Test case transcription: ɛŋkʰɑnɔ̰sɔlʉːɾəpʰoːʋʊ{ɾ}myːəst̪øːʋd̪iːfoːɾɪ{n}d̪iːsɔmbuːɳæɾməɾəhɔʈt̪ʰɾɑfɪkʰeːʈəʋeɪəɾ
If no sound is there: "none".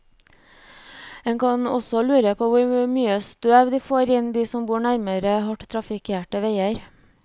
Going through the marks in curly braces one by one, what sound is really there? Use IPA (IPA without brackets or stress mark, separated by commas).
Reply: ɾ, n